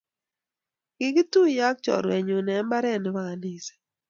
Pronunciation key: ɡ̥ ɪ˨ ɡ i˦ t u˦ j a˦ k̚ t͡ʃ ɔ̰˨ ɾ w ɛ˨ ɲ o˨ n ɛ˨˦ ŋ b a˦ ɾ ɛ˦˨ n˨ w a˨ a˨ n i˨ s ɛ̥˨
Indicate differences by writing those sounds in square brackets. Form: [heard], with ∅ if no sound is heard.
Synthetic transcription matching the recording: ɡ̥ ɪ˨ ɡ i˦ t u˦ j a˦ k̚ t͡ʃ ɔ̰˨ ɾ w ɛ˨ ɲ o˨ n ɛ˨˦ [m] b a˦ ɾ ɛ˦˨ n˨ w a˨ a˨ n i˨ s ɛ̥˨

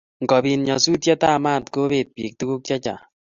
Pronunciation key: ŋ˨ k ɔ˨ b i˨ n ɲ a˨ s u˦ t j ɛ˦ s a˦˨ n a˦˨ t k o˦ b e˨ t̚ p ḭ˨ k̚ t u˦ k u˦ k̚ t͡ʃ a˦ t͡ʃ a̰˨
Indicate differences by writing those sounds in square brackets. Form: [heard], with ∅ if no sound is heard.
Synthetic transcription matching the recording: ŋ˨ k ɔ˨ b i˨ n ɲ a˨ s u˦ t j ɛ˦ [t] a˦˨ [m] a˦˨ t k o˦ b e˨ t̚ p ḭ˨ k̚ t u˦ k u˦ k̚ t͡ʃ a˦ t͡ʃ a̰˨

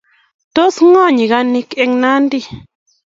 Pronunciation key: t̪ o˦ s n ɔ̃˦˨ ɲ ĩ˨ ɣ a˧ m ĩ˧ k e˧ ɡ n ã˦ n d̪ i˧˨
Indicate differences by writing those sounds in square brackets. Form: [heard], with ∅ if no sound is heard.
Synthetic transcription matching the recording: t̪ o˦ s [ŋ] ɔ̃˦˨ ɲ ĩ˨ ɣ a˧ [n] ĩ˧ k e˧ [ŋ] n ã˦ n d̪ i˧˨

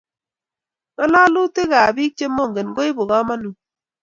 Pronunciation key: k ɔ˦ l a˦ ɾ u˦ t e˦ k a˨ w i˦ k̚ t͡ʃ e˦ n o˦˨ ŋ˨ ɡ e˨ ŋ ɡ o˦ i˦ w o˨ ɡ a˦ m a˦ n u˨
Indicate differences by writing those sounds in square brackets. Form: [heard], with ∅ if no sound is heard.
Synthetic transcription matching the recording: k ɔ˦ l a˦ [l] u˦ t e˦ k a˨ [b] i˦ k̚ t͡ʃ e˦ [m] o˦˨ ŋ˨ ɡ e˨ [n] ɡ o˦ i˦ [b] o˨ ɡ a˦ m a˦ n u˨

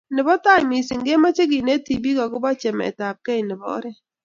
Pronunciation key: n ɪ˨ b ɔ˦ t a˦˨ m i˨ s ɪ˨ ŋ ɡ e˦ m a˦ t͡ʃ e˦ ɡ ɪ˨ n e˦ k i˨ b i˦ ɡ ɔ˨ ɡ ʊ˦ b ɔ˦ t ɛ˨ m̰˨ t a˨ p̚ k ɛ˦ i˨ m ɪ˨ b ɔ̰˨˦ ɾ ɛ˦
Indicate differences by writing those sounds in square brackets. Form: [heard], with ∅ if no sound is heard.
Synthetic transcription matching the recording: n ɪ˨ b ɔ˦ t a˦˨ m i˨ s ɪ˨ ŋ ɡ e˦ m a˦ t͡ʃ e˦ ɡ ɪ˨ n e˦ [t] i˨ b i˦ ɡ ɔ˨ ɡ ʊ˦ b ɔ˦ [t͡ʃ] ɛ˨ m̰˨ t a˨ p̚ k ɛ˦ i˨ [n] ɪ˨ b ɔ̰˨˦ ɾ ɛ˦

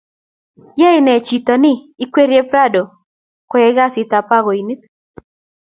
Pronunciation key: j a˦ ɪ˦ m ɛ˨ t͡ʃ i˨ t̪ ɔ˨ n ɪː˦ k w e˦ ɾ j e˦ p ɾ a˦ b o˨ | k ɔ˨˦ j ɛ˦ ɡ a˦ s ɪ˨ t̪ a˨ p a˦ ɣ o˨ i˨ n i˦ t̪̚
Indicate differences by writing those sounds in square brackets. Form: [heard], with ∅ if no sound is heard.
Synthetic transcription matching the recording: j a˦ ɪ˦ [n] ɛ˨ t͡ʃ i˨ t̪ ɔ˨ n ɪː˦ k w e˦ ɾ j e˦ p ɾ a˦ [d] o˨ | k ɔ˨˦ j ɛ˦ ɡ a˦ s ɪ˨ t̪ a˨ p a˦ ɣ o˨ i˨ n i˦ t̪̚

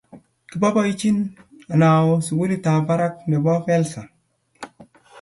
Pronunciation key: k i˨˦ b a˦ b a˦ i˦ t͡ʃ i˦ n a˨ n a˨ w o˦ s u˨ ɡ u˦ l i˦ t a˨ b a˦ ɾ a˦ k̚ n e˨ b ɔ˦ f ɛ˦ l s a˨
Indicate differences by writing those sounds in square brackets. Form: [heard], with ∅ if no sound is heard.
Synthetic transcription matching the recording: k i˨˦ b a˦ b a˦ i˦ t͡ʃ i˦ n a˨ n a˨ w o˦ s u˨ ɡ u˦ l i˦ t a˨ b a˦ ɾ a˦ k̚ n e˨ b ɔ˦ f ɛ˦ l s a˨

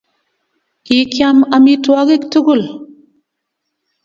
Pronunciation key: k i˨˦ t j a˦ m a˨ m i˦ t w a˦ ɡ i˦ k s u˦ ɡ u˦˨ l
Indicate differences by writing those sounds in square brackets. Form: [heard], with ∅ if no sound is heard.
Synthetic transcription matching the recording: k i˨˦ [k] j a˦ m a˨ m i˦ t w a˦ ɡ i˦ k [t] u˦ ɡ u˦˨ l

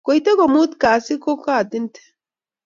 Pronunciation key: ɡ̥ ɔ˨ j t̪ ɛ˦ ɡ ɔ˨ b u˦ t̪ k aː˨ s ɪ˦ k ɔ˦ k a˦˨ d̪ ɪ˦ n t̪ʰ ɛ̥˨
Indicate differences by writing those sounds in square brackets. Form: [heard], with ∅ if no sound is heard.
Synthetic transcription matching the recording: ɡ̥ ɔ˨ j t̪ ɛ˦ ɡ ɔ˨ [m] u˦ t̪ k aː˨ s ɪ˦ k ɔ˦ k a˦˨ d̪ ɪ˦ n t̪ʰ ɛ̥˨

